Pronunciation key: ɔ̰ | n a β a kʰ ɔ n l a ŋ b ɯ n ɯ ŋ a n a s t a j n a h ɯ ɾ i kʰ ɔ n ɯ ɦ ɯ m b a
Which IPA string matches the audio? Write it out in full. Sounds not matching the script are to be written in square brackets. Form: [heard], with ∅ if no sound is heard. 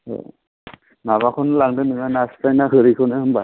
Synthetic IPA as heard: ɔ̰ | n a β a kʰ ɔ n l a ŋ [d] ɯ n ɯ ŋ a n a s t a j n a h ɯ ɾ i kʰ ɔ n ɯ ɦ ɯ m b a